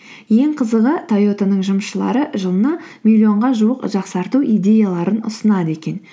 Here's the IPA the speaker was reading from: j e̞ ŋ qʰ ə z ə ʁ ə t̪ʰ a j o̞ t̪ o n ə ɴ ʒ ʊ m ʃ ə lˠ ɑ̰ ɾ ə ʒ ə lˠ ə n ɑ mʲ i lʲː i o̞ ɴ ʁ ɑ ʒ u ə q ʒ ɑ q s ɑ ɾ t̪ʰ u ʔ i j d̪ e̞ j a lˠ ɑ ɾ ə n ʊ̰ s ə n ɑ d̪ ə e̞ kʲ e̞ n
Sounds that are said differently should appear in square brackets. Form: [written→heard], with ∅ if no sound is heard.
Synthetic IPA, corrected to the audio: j e̞ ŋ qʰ ə z ə ʁ ə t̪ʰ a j o̞ t̪ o n ə ɴ ʒ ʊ m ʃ ə lˠ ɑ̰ ɾ ə ʒ ə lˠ ə n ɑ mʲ i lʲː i o̞ ɴ ʁ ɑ ʒ u ə q ʒ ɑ q s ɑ ɾ [t̪ʰ→t̪] u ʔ i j d̪ e̞ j a lˠ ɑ ɾ ə n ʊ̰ s ə n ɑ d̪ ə e̞ kʲ e̞ n

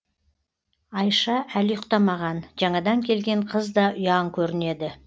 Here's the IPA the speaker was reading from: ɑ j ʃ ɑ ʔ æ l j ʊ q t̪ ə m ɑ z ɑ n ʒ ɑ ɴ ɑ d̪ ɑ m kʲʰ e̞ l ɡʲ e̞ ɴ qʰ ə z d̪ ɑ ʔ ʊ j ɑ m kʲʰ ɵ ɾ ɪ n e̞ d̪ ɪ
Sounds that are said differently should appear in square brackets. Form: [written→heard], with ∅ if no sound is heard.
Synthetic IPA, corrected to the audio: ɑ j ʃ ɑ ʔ æ l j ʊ q t̪ [ə→ɑ] m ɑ [z→ʁ] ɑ n ʒ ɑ ɴ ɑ d̪ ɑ [m→ŋ] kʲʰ e̞ l ɡʲ e̞ ɴ qʰ ə z d̪ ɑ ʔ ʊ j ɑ [m→ŋ] kʲʰ ɵ ɾ ɪ n e̞ d̪ ɪ

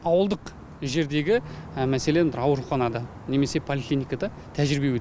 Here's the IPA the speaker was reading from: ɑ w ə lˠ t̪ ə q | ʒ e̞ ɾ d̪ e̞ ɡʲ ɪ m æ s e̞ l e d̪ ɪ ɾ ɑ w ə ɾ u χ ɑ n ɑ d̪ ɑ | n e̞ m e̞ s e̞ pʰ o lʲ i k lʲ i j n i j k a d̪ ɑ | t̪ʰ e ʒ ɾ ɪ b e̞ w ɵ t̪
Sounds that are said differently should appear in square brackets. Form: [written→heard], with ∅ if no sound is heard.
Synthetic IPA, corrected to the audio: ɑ w ə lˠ [t̪→d̪] ə q | ʒ e̞ ɾ d̪ e̞ ɡʲ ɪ m æ s e̞ l e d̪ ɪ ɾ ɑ w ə ɾ u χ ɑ n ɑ d̪ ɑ | n e̞ m e̞ s e̞ pʰ o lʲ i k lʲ i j n i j k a d̪ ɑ | t̪ʰ [e→æ] ʒ ɾ ɪ b e̞ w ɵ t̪

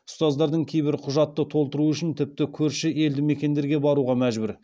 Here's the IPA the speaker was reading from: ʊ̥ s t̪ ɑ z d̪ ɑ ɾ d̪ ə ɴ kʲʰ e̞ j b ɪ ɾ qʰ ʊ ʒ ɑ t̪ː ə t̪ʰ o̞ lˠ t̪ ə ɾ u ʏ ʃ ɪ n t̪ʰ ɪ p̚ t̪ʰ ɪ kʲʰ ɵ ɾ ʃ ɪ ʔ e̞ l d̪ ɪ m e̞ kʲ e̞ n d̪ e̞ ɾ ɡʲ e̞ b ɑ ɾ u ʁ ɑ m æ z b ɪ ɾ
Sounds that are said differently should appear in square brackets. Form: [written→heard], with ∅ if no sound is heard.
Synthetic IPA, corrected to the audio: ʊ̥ s t̪ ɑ z d̪ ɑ ɾ d̪ ə ɴ kʲʰ e̞ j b ɪ ɾ qʰ ʊ ʒ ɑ t̪ː ə t̪ʰ o̞ lˠ t̪ ə ɾ u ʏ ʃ ɪ n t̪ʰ ɪ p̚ [t̪ʰ→t̪] ɪ kʲʰ ɵ ɾ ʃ ɪ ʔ e̞ l d̪ ɪ m e̞ kʲ e̞ n d̪ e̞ ɾ ɡʲ e̞ b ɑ ɾ u ʁ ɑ m æ [z→ʒ] b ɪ ɾ

